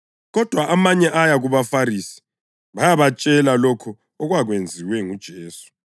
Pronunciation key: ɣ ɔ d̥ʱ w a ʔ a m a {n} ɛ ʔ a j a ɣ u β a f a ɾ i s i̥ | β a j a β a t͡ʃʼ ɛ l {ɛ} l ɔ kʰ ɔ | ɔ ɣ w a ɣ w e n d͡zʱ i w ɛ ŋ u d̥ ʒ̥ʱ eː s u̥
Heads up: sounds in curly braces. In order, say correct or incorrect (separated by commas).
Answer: incorrect, incorrect